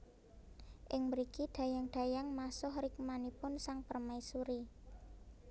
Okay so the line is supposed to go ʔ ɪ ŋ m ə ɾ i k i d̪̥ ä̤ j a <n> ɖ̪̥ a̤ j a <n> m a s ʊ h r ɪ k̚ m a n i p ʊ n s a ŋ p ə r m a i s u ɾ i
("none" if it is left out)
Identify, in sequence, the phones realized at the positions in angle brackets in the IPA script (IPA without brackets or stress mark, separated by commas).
ŋ, ŋ